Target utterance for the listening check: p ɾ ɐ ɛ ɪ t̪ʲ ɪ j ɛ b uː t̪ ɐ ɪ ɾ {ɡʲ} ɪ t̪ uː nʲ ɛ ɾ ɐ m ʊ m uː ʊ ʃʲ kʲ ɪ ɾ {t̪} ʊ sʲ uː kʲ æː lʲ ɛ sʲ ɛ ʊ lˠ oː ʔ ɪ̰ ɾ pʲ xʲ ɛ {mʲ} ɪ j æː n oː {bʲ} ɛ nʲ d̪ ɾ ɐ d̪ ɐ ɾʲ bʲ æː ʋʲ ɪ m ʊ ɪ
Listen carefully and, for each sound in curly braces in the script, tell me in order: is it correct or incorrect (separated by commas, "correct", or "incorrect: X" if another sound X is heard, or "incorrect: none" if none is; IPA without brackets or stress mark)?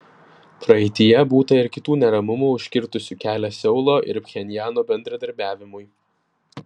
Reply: incorrect: kʲ, correct, incorrect: nʲ, correct